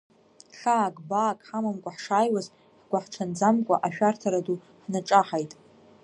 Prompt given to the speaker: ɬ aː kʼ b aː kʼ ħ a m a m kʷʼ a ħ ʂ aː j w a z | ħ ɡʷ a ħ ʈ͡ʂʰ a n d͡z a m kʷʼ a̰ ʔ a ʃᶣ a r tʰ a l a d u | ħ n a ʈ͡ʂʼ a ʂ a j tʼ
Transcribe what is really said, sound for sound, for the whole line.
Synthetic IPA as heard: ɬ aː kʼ b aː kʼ ħ a m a m kʷʼ a ħ ʂ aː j w a z | ħ ɡʷ a ħ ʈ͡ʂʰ a n d͡z a m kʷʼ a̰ ʔ a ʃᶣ a r tʰ a ɾ a d u | ħ n a ʈ͡ʂʼ a ħ a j tʼ